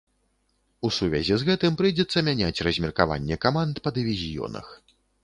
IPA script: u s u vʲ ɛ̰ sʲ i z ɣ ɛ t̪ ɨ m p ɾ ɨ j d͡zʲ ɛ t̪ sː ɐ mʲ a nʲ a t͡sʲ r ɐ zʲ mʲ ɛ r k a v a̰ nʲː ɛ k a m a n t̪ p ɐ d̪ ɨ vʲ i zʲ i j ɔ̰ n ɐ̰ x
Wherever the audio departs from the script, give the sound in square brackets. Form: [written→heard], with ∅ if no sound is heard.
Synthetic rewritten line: u s u vʲ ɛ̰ [sʲ→zʲ] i z ɣ ɛ t̪ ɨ m p ɾ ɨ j d͡zʲ ɛ t̪ sː ɐ mʲ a nʲ a t͡sʲ r ɐ zʲ mʲ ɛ r k a v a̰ nʲː ɛ k a m a n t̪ p ɐ d̪ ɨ vʲ i zʲ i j ɔ̰ n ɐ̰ x